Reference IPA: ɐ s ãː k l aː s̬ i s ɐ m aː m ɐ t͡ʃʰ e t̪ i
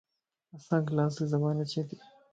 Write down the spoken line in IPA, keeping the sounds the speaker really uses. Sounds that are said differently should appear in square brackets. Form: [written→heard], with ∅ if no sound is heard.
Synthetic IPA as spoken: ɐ s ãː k l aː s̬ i [s→z] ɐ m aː [m→n] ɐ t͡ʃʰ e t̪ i